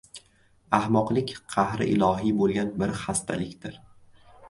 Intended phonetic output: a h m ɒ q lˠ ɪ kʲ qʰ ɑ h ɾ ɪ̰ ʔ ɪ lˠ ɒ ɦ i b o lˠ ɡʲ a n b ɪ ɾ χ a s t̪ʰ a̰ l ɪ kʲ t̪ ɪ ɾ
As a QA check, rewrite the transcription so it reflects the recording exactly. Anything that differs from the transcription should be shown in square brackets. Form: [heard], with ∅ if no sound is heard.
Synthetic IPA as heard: a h m ɒ q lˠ ɪ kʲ qʰ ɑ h ɾ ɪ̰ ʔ ɪ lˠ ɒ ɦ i b o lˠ ɡʲ a n b ɪ ɾ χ a s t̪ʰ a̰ l ɪ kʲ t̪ ɪ ɾ